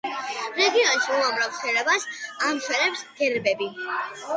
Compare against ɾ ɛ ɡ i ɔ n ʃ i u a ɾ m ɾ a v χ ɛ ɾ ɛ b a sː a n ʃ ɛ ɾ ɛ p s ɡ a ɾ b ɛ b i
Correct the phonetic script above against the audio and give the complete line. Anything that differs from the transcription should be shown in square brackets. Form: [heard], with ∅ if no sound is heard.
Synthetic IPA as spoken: ɾ ɛ ɡ i ɔ n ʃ i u a [∅] m ɾ a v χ ɛ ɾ ɛ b a [s] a [m] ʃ ɛ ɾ ɛ p s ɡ [ɛ] ɾ b ɛ b i